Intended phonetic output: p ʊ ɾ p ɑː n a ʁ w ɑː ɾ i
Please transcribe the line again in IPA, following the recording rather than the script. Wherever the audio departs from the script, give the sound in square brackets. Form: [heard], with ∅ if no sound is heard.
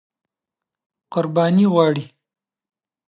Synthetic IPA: [q] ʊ ɾ [b] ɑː n [i] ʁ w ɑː [ɽ] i